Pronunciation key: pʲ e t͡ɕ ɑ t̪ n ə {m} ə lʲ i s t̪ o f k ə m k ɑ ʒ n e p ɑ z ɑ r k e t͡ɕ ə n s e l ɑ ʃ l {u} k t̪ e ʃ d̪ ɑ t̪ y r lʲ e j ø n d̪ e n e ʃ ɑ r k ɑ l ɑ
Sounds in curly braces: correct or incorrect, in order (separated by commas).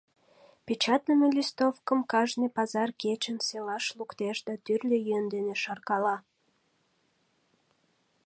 correct, correct